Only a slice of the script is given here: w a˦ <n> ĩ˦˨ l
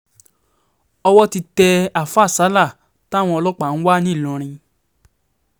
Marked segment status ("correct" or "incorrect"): correct